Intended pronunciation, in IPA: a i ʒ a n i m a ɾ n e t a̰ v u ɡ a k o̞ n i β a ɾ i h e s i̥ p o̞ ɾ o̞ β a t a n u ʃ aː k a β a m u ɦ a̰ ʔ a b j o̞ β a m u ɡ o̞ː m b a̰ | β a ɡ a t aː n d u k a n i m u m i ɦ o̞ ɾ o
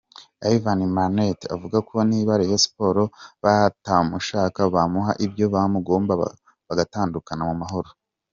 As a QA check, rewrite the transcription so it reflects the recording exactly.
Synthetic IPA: a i v a n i m a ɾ n e t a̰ v u ɡ a k o̞ n i β a ɾ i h e s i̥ p o̞ ɾ o̞ β a t a m u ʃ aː k a β a m u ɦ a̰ ʔ i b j o̞ β a m u ɡ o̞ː m b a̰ | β a ɡ a t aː n d u k a n a m u m a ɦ o̞ ɾ o